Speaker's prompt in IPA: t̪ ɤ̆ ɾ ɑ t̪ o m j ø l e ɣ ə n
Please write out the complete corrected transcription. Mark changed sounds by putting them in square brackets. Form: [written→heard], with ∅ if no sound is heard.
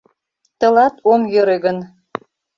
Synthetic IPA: t̪ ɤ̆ [ɾ→l] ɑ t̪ o m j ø [l→ɾ] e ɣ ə n